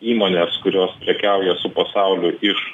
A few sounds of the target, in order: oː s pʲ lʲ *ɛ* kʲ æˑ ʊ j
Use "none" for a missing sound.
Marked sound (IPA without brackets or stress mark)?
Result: ɛ